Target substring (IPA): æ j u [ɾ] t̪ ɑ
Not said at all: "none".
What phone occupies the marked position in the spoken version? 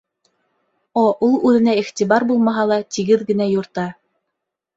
ɾ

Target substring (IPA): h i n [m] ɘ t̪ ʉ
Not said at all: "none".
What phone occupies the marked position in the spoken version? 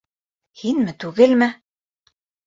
m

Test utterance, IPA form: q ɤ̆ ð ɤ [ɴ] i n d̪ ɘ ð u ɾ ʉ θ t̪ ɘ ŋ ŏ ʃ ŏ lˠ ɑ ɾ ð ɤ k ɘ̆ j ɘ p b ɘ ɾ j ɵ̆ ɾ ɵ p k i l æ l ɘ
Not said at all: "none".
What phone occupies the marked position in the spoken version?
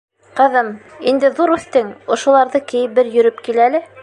m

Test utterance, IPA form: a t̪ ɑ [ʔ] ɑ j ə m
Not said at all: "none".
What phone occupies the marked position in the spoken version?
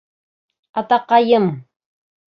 q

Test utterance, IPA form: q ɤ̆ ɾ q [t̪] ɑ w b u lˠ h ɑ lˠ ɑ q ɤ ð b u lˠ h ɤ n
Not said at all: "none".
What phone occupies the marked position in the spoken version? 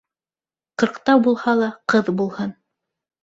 t̪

